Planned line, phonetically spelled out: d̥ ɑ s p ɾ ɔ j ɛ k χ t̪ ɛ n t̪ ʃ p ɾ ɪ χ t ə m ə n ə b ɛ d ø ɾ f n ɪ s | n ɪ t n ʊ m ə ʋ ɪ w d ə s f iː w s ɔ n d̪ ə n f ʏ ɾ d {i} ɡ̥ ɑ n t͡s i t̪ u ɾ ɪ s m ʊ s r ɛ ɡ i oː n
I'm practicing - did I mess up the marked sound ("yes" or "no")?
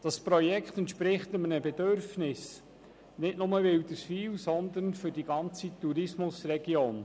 no